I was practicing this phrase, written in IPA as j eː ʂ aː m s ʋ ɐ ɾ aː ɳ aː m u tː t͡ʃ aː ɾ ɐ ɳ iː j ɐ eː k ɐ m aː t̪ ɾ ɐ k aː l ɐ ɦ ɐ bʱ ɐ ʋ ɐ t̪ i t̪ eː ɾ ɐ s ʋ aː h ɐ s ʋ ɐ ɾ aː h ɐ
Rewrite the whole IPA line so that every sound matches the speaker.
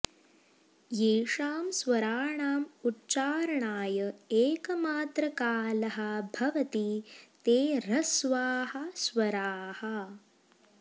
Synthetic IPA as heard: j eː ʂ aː m s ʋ ɐ ɾ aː ɳ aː m u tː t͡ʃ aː ɾ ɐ ɳ aː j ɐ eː k ɐ m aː t̪ ɾ ɐ k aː l ɐ ɦ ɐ bʱ ɐ ʋ ɐ t̪ i t̪ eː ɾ ɐ s ʋ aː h ɐ s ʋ ɐ ɾ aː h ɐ